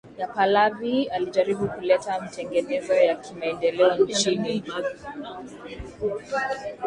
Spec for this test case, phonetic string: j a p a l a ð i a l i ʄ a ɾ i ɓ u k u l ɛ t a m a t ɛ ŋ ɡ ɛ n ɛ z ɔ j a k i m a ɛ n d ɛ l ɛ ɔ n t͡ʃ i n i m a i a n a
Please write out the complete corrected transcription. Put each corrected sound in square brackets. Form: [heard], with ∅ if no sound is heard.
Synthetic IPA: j a p a l a [v] i a l i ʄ a ɾ i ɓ u k u l ɛ t a m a t ɛ ŋ ɡ ɛ n ɛ z ɔ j a k i m a ɛ n d ɛ l ɛ ɔ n t͡ʃ i n i m a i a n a